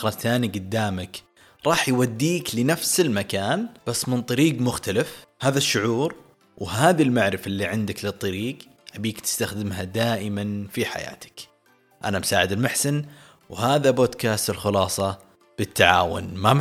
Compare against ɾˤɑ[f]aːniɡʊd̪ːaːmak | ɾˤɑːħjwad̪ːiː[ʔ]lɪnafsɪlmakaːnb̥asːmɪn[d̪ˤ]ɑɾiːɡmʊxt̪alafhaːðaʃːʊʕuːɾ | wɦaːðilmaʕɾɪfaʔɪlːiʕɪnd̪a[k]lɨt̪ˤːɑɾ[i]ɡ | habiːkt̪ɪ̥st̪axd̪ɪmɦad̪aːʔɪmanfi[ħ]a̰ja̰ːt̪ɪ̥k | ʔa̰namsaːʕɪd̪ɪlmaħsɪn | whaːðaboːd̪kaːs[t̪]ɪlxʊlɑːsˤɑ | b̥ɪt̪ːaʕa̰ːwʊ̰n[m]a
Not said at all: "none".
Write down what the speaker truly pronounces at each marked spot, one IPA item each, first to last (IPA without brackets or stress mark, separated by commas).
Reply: θ, k, t̪ˤ, k, iː, ħ, t̪, m